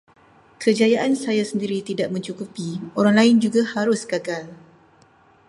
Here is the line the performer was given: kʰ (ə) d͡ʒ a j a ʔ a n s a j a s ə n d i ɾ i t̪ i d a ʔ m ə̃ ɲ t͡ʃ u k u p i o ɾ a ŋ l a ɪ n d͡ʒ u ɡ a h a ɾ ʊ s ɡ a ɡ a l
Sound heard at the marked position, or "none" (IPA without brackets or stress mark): ə